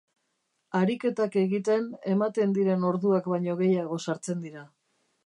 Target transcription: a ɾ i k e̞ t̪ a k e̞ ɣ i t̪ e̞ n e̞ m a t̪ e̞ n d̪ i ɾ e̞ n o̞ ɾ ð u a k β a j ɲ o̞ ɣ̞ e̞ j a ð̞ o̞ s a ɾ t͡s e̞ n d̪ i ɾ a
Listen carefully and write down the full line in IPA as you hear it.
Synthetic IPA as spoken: a ɾ i k e̞ t̪ a k e̞ ɣ i t̪ e̞ n e̞ m a t̪ e̞ n d̪ i ɾ e̞ n o̞ ɾ ð u a k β a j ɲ o̞ ɣ̞ e̞ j a ɣ̞ o̞ s a ɾ t͡s e̞ n d̪ i ɾ a